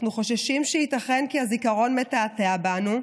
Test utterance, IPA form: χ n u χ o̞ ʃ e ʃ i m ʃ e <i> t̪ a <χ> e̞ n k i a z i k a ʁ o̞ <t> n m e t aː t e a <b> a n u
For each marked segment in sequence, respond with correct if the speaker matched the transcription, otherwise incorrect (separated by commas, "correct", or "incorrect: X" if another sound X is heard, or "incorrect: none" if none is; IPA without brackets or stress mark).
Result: correct, correct, incorrect: none, correct